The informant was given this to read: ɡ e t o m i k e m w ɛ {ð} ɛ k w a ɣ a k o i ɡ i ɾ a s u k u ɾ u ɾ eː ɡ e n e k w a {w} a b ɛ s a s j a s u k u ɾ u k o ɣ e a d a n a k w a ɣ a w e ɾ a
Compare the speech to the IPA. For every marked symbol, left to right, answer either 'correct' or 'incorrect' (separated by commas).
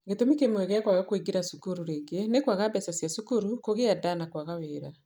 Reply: incorrect, incorrect